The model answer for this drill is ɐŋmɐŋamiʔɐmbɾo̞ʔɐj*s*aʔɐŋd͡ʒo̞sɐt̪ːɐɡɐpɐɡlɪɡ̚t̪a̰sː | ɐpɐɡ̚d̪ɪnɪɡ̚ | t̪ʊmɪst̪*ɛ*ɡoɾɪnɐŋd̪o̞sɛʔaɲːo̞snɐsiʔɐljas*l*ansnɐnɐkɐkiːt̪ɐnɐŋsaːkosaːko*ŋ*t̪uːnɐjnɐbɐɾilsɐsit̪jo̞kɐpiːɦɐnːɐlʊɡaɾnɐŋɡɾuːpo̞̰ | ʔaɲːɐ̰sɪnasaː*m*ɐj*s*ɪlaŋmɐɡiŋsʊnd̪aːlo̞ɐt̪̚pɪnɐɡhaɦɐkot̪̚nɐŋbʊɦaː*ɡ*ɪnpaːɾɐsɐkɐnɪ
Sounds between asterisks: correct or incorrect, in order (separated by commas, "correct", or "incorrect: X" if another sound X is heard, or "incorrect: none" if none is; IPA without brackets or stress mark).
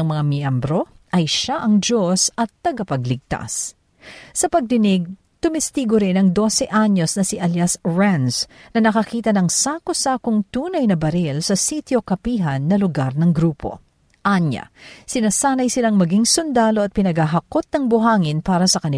incorrect: ʃ, incorrect: i, incorrect: ɹ, correct, incorrect: n, correct, incorrect: ŋ